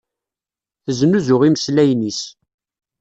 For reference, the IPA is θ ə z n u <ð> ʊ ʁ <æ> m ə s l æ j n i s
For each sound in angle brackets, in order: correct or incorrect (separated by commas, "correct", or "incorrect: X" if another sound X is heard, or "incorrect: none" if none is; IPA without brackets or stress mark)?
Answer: incorrect: z, incorrect: i